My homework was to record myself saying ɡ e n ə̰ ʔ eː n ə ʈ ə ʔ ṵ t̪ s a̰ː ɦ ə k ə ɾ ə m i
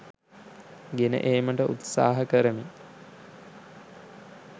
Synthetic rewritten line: ɡ e n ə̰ ʔ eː m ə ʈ ə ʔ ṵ t̪ s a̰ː ɦ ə k ə ɾ ə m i